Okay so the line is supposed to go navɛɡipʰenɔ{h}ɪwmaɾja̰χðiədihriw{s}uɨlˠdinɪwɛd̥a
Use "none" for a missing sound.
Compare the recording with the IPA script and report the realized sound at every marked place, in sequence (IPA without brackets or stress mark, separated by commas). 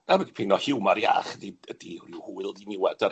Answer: h, h